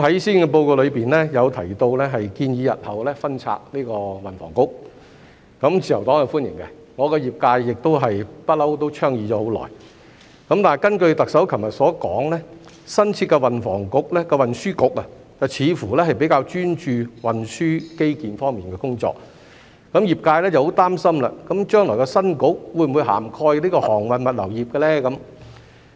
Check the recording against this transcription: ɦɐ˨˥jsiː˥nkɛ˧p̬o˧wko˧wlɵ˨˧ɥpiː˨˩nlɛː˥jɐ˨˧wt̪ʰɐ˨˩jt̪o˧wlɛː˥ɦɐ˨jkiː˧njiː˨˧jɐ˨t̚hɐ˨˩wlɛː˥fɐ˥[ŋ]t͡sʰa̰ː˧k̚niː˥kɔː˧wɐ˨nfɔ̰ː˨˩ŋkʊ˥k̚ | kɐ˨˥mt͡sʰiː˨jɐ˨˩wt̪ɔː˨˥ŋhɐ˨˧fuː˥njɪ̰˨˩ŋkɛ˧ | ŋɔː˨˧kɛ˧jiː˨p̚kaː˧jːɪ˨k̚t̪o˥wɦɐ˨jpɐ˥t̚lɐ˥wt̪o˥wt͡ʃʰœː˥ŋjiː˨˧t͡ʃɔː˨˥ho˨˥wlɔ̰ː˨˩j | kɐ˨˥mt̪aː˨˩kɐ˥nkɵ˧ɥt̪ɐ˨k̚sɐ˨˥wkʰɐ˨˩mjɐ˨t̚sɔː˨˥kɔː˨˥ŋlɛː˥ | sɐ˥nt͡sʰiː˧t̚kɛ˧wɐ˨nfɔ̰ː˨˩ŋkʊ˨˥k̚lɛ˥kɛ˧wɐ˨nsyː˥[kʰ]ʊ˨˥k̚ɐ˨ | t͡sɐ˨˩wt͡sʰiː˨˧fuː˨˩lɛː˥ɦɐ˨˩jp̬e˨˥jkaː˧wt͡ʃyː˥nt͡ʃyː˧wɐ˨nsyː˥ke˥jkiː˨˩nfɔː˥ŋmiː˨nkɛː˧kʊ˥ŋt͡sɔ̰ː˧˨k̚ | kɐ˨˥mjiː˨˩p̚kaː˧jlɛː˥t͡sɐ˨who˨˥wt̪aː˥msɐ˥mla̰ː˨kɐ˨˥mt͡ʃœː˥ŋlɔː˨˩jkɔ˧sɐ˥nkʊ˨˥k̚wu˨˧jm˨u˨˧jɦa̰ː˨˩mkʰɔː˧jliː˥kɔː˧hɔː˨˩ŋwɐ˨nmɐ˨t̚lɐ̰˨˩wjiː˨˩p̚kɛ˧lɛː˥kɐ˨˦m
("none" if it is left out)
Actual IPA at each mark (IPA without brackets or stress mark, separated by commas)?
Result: n, k